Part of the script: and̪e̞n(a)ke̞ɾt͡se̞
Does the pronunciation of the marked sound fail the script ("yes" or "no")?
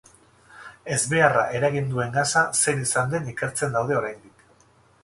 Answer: yes